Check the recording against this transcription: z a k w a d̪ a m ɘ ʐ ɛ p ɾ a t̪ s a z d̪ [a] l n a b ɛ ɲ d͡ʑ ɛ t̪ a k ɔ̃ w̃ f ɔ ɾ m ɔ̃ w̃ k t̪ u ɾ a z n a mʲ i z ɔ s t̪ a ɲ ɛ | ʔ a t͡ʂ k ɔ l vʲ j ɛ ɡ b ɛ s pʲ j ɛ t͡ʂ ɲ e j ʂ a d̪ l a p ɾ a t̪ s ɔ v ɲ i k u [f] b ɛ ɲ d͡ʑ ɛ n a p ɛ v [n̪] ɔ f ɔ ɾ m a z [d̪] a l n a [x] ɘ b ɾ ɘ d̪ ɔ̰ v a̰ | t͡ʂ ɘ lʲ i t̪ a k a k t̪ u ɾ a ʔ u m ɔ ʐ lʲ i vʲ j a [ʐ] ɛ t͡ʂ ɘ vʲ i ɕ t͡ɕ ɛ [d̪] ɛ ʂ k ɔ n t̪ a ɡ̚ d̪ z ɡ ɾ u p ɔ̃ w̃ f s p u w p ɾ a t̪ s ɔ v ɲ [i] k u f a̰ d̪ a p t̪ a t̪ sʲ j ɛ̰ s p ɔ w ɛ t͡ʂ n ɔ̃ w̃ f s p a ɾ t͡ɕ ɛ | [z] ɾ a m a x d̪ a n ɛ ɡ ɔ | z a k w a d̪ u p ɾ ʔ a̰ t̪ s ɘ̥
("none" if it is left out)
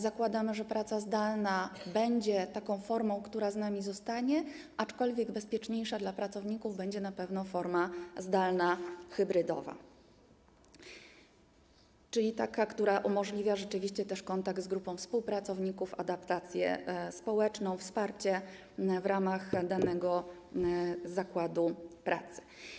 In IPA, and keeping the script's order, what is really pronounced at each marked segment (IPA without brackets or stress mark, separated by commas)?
a, v, n̪, d̪, x, ʐ, t̪, i, v